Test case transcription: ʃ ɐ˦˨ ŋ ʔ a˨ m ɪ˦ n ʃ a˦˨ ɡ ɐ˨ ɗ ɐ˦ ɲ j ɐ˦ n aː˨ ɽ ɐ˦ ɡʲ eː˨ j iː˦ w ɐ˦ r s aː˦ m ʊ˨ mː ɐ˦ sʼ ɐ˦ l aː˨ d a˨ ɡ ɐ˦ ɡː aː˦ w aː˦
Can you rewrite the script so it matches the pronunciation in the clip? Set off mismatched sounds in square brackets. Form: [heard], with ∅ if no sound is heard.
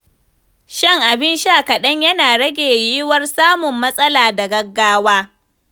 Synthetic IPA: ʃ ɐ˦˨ ŋ ʔ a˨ [b] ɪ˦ n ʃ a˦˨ [k] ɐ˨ ɗ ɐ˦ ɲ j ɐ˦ n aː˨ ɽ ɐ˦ ɡʲ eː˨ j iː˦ w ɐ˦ r s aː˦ m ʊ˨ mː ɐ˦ sʼ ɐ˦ l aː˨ d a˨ ɡ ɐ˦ ɡː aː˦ w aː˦